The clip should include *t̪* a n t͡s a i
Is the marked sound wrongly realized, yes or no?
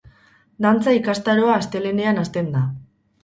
yes